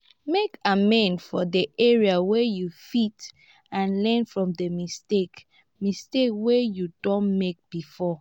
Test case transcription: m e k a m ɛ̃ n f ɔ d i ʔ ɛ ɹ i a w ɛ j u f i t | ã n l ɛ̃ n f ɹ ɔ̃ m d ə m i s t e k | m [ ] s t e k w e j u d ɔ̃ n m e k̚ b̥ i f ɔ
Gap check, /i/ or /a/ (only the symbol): i